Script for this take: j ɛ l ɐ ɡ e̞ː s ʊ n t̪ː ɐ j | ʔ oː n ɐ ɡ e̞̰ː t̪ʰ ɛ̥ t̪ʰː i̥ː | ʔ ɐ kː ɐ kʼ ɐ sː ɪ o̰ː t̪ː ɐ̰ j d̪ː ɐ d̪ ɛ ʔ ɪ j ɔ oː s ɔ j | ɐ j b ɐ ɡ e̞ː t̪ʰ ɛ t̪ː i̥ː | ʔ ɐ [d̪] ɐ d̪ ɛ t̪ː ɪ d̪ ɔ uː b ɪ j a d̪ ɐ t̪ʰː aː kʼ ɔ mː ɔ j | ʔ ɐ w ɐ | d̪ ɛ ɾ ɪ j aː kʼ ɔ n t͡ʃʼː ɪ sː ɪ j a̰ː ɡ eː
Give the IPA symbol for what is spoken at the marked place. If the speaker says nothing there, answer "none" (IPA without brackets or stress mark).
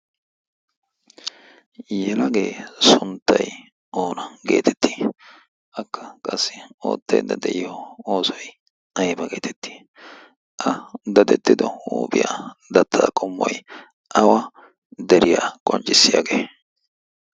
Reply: d̪